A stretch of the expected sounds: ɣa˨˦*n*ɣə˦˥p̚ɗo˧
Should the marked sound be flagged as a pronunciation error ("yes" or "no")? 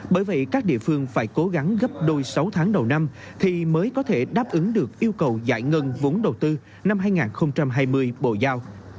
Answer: yes